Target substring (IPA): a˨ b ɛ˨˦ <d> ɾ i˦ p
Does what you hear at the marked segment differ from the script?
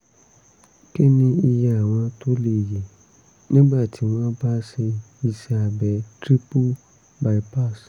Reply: yes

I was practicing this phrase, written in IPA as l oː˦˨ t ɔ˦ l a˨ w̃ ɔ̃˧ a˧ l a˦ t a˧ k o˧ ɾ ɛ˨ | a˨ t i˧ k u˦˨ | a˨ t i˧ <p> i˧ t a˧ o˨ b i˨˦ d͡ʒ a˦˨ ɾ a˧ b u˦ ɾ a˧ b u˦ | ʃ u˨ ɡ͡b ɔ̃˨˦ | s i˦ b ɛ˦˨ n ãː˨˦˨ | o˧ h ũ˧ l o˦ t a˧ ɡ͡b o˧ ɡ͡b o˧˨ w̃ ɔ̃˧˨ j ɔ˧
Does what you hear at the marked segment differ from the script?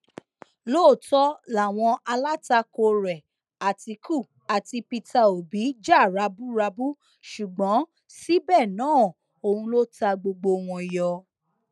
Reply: no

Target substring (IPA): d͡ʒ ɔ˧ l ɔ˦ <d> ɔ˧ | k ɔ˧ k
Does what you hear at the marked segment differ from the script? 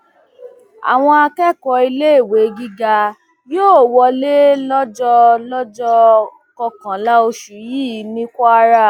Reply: yes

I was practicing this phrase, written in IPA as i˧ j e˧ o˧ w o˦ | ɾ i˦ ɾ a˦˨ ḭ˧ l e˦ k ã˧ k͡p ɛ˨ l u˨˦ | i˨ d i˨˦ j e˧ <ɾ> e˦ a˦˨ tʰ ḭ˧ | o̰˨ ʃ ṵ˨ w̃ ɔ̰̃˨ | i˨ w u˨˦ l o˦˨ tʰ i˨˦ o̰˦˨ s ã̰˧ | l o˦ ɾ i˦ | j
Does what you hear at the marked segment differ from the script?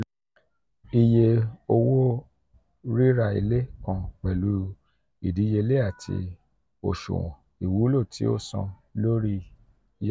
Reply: yes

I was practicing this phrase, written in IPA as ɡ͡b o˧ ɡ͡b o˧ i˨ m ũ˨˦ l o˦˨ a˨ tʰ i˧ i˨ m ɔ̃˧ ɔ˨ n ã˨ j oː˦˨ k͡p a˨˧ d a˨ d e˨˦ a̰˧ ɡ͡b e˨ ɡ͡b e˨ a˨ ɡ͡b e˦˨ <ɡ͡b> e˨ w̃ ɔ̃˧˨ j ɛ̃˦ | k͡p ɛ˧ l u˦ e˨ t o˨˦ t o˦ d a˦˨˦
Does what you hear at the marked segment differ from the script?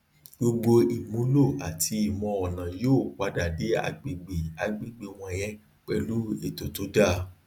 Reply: no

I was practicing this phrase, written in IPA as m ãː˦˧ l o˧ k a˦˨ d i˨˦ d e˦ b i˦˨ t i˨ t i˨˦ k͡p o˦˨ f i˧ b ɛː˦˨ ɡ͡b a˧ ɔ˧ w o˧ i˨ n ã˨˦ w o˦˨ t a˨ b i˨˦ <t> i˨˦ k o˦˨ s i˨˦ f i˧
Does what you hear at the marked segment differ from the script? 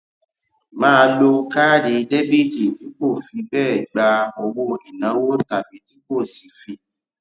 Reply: no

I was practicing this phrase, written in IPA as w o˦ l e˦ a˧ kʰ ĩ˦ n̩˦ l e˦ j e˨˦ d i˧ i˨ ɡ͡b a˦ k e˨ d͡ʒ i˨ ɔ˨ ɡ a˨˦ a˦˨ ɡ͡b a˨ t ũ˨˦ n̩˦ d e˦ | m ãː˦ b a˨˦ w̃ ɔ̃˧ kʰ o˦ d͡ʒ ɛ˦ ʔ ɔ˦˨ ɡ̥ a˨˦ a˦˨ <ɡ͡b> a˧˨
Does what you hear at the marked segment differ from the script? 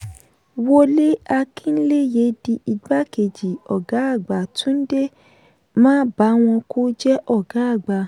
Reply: no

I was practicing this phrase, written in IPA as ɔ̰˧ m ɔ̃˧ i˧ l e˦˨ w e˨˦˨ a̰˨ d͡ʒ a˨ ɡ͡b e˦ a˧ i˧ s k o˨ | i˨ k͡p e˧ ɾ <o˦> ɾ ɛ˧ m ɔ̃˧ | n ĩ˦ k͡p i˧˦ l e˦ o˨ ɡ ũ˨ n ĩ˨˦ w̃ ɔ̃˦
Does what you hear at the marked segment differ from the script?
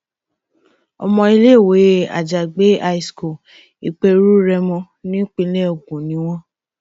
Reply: yes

